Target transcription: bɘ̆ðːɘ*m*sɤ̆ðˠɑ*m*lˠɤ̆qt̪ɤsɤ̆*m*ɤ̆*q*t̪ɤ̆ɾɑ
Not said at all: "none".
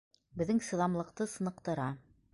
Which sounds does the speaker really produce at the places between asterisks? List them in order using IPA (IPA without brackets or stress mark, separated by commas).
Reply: ŋ, m, n, q